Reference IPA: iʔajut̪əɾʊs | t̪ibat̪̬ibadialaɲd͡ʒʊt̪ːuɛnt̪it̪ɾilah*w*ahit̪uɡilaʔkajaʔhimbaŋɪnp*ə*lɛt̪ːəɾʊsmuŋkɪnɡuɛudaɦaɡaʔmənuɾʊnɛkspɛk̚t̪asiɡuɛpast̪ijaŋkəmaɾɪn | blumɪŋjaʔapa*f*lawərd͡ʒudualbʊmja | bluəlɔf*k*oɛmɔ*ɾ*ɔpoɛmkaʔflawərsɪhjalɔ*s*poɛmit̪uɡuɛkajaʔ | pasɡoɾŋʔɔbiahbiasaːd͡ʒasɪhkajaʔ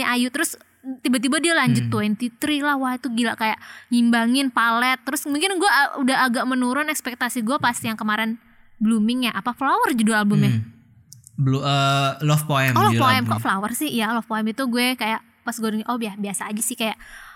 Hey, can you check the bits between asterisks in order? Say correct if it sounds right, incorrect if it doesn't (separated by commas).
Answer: correct, incorrect, correct, incorrect, incorrect, incorrect